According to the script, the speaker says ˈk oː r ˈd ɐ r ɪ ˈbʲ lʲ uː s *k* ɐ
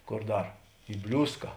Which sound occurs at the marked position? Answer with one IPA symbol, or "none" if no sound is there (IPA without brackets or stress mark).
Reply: k